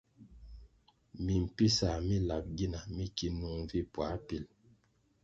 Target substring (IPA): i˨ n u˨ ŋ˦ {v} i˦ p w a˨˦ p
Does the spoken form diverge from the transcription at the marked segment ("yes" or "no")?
no